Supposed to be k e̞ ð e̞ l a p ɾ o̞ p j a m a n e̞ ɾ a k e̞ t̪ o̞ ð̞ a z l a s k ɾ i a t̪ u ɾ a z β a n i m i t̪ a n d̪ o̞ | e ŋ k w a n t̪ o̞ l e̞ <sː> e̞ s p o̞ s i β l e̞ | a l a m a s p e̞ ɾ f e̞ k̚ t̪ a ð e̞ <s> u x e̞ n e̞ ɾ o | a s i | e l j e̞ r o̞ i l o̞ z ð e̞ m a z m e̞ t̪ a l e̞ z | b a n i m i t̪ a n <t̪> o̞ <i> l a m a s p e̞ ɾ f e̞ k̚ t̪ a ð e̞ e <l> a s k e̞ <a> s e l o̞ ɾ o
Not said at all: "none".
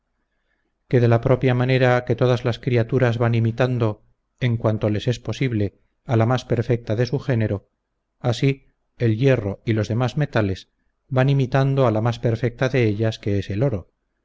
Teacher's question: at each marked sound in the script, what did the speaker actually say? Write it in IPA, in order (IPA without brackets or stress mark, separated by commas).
s, s, d̪, a, ʎ, e